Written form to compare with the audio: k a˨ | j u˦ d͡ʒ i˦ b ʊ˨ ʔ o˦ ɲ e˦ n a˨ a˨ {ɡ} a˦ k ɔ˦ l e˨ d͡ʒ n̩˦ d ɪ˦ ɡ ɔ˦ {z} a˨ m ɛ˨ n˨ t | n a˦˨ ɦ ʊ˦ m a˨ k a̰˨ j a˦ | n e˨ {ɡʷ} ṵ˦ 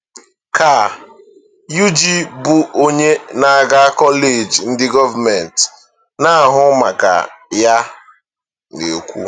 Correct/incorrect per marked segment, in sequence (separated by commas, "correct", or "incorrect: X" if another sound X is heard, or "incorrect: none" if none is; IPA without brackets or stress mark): correct, incorrect: v, incorrect: kʷ